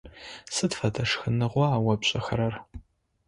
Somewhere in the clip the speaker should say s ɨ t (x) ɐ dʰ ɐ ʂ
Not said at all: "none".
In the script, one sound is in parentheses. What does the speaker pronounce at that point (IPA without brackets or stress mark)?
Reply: f